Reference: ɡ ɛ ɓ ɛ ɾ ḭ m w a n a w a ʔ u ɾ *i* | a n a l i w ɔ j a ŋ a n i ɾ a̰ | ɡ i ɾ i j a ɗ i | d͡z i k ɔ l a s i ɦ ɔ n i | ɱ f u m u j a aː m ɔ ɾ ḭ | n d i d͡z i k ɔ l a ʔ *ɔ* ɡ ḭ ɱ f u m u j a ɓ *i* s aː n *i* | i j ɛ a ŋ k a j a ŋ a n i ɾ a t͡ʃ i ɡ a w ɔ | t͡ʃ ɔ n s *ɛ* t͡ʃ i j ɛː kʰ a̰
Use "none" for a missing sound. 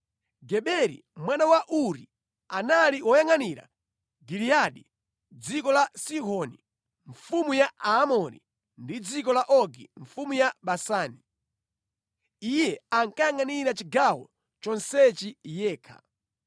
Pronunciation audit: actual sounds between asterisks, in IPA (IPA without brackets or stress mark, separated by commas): i, ɔ, a, i, ɛ